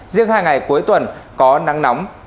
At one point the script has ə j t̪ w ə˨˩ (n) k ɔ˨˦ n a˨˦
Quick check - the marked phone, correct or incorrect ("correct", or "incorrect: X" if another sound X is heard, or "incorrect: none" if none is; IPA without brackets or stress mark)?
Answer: correct